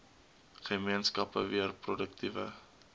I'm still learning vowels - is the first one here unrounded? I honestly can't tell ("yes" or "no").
yes